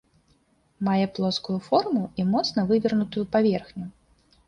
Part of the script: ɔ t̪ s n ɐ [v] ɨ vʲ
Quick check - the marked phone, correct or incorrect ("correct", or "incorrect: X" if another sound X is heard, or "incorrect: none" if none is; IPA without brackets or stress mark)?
correct